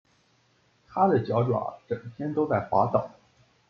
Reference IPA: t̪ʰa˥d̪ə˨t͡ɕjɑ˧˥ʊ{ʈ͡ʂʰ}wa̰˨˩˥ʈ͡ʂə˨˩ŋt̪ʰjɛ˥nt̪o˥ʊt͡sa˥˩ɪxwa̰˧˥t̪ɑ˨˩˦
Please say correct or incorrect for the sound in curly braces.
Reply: incorrect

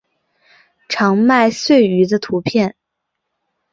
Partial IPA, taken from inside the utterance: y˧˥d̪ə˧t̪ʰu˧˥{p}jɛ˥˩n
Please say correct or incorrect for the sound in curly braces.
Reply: incorrect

